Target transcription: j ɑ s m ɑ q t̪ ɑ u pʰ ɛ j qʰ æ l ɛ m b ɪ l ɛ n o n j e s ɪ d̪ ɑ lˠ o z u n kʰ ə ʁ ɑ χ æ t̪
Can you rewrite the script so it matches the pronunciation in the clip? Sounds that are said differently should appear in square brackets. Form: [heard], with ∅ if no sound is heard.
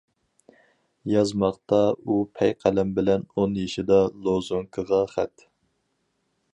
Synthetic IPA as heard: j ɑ [z] m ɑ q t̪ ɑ u pʰ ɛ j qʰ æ l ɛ m b ɪ l ɛ n o n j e [ʃ] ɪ d̪ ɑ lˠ o z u [ŋ] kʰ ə ʁ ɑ χ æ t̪